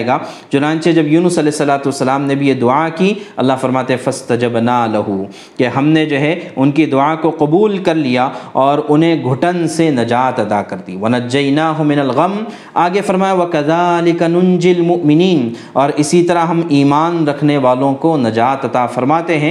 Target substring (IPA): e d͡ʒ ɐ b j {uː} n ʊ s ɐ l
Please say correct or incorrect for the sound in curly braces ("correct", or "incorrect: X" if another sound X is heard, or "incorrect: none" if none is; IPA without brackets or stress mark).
correct